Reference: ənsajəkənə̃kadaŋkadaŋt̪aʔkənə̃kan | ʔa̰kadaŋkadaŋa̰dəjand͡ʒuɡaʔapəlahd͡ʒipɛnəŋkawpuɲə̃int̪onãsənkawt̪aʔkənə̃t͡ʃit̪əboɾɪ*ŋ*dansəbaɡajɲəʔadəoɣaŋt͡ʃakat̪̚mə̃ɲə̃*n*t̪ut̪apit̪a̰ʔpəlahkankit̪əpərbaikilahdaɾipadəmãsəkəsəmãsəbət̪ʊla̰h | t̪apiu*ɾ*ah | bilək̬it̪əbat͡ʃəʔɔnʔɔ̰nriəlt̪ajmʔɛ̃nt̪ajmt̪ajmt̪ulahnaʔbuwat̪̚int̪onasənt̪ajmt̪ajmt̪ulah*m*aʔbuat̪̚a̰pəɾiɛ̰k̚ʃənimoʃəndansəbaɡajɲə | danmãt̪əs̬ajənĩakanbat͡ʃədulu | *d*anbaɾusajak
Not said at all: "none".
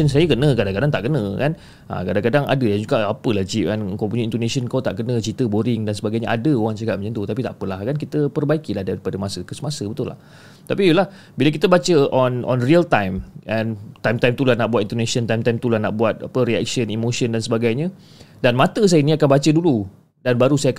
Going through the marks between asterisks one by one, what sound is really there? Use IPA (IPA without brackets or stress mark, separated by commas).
ŋ, n, l, n, d